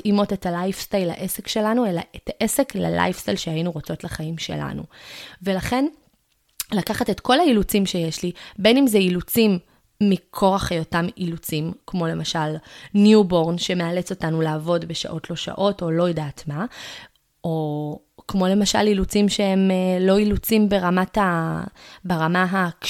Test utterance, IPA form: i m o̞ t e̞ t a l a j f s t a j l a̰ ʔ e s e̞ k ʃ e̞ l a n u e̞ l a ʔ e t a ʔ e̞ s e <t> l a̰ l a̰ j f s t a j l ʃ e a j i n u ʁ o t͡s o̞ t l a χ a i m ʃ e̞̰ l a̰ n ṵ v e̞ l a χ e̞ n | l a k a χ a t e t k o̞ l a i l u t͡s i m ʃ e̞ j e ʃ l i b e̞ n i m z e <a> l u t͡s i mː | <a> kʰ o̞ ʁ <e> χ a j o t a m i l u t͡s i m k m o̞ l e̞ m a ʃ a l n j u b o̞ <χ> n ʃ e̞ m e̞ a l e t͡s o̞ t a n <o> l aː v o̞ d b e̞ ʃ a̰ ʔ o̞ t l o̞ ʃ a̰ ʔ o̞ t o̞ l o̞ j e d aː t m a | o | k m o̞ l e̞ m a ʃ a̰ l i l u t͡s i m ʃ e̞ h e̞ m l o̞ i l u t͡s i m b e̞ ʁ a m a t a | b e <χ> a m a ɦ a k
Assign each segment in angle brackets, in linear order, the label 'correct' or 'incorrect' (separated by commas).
incorrect, incorrect, incorrect, incorrect, incorrect, incorrect, incorrect